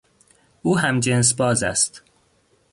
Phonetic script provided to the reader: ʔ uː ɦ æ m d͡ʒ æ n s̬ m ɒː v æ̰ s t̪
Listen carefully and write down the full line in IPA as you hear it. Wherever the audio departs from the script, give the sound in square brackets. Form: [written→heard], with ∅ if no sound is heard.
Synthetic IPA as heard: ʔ uː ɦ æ m d͡ʒ [æ→e] n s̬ [m→b] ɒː [v→z] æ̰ s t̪